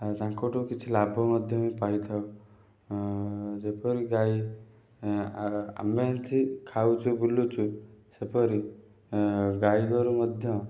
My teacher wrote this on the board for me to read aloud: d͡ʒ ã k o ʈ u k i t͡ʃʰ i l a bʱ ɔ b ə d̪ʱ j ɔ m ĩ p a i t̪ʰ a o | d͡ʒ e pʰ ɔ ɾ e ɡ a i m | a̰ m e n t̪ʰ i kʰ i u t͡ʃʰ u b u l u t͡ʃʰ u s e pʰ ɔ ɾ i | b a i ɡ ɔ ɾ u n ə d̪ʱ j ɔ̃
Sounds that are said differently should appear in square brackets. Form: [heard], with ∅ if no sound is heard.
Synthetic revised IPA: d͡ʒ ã k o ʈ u k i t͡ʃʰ i l a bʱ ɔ [m] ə d̪ʱ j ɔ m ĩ p a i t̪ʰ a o | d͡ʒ e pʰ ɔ ɾ [i] ɡ a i [∅] | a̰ m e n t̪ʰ i kʰ [a] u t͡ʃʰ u b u l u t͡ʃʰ u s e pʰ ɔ ɾ i | [ɡ] a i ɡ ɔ ɾ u [m] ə d̪ʱ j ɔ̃